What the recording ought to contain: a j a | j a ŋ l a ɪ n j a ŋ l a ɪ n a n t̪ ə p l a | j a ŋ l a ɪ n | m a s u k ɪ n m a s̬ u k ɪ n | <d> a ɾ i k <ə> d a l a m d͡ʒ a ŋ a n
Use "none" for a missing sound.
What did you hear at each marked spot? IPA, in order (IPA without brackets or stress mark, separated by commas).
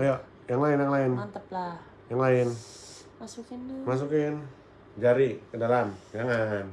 d͡ʒ, ə